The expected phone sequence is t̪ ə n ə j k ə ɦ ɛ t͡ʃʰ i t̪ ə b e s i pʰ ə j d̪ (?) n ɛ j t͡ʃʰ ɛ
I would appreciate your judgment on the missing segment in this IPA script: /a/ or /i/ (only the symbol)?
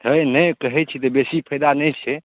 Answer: a